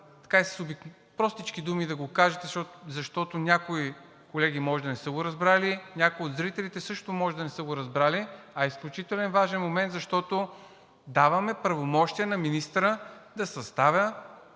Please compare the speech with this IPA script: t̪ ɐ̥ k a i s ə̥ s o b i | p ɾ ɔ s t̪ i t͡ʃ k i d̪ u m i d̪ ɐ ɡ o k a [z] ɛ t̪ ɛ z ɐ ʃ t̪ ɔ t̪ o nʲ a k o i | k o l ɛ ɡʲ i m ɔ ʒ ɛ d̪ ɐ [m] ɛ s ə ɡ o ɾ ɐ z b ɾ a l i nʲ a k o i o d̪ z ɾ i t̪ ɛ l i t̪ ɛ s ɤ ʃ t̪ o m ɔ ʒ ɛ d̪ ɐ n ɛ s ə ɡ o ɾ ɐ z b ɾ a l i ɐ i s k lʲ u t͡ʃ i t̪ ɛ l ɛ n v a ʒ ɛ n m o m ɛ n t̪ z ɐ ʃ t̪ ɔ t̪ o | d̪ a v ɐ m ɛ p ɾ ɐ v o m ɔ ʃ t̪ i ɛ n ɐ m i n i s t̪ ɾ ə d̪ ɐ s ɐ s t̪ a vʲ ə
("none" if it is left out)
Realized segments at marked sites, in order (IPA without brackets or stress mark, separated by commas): ʒ, n